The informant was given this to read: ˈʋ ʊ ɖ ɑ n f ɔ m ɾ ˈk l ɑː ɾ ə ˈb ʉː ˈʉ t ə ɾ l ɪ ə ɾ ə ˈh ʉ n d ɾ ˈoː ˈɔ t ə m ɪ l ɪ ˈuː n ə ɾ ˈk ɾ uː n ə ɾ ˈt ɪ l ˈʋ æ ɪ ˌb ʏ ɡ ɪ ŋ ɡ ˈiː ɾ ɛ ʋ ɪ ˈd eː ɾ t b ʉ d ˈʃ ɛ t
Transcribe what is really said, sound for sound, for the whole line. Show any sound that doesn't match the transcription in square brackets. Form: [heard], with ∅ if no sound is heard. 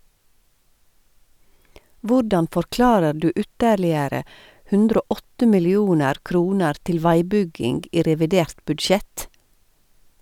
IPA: ˈʋ ʊ ɖ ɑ n f ɔ [∅] ɾ ˈk l ɑː ɾ ə [ˈɖ] ʉː ˈʉ t ə ɾ l ɪ ə ɾ ə ˈh ʉ n d ɾ ˈoː ˈɔ t ə m ɪ l ɪ ˈuː n ə ɾ ˈk ɾ uː n ə ɾ ˈt ɪ l ˈʋ æ ɪ ˌb ʏ ɡ ɪ ŋ ɡ ˈiː ɾ ɛ ʋ ɪ ˈd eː ɾ t b ʉ d ˈʃ ɛ t